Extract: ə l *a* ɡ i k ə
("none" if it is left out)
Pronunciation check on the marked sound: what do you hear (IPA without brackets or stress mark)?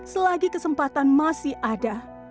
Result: a